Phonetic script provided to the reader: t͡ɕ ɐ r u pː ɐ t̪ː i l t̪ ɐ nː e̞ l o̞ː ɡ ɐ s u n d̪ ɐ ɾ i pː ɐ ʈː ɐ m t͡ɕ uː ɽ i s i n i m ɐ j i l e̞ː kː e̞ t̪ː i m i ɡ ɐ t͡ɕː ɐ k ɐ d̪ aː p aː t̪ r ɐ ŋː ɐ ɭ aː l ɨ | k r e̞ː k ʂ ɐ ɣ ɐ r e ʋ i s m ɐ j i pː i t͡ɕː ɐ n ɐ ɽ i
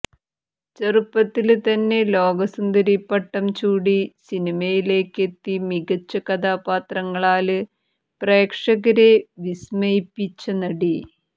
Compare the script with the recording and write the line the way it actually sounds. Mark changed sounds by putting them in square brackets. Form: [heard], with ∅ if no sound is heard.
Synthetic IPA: t͡ɕ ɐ r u pː ɐ t̪ː i l t̪ ɐ nː e̞ l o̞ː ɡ ɐ s u n d̪ ɐ ɾ i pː ɐ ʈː ɐ m t͡ɕ uː ɽ i s i n i m ɐ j i l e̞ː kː e̞ t̪ː i m i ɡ ɐ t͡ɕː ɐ k ɐ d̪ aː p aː t̪ r ɐ ŋː ɐ ɭ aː l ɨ | [p] r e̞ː k ʂ ɐ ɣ ɐ [ɾ] e ʋ i s m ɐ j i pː i t͡ɕː ɐ n ɐ ɽ i